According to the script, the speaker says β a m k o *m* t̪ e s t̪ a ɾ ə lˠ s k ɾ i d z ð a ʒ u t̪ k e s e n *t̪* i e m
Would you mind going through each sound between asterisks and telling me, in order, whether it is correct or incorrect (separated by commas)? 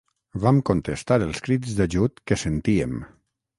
incorrect, correct